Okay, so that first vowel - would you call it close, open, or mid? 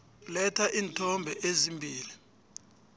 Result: mid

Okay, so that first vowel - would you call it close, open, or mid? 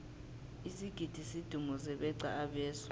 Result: close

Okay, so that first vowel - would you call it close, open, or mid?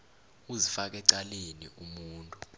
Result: close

